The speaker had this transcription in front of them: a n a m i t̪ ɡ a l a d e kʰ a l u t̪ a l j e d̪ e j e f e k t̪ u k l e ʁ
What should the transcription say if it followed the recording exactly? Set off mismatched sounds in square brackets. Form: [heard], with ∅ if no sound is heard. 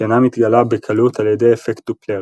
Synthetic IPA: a n a m i t̪ ɡ a l a [b] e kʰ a l u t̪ a l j e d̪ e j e f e k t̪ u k l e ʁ